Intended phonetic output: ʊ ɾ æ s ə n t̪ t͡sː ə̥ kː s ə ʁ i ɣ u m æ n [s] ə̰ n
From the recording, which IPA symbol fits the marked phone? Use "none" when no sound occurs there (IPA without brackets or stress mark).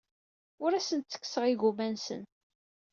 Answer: s